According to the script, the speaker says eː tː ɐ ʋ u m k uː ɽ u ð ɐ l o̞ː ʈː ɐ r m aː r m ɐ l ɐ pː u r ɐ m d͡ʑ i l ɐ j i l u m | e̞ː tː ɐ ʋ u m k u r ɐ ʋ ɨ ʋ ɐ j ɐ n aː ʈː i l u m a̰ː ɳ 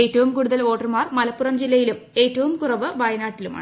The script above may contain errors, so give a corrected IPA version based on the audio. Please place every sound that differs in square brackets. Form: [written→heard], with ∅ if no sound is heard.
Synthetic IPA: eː tː ɐ ʋ u m k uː ɽ u ð ɐ l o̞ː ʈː ɐ r m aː r m ɐ l ɐ pː u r ɐ m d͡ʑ i [l→lː] ɐ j i l u m | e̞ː tː ɐ ʋ u m k u r ɐ ʋ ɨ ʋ ɐ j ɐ n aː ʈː i l u m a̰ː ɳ